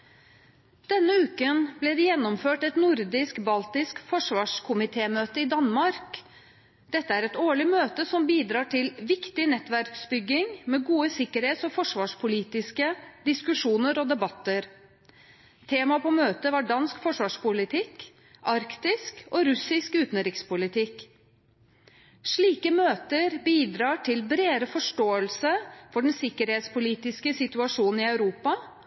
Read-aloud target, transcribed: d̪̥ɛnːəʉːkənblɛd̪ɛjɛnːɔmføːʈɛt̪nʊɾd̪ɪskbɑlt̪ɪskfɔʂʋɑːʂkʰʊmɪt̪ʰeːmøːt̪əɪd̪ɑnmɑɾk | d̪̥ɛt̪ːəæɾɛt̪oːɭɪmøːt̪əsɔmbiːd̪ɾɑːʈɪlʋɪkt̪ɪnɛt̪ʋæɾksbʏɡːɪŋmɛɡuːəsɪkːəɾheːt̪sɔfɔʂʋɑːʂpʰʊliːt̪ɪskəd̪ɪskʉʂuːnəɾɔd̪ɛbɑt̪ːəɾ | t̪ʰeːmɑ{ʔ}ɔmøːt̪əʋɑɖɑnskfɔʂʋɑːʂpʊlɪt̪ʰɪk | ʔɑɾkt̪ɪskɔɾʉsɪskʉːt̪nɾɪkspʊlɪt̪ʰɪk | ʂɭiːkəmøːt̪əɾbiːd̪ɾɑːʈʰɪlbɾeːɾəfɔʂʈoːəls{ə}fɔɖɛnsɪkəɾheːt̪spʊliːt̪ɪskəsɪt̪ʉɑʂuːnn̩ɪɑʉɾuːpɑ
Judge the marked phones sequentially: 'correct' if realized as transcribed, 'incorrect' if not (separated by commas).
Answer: incorrect, correct